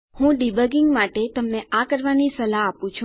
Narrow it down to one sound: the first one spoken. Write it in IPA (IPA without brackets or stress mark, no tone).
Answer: h